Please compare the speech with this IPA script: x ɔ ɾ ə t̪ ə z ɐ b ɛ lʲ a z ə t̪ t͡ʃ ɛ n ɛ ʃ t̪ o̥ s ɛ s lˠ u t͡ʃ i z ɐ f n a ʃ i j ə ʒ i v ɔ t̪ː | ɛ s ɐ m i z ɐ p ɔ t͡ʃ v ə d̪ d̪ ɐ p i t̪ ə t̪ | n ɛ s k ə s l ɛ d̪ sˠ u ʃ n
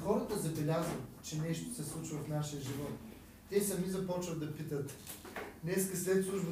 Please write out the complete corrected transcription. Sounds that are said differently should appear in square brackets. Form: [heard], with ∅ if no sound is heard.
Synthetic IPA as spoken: x ɔ ɾ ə t̪ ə z ɐ b ɛ lʲ a z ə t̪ t͡ʃ ɛ n ɛ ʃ t̪ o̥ s ɛ s lˠ u t͡ʃ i [v] ɐ f n a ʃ i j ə ʒ i v ɔ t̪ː | ɛ s ɐ m i z ɐ p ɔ t͡ʃ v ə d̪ d̪ ɐ p i t̪ ə t̪ | n ɛ s k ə s l ɛ [t̪] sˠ u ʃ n